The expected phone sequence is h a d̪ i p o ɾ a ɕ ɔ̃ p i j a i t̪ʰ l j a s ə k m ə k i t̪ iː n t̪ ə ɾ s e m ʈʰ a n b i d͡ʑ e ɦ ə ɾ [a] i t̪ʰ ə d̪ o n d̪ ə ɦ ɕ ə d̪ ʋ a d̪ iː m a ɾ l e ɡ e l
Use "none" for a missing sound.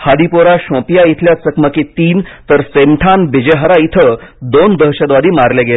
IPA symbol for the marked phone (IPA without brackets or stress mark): a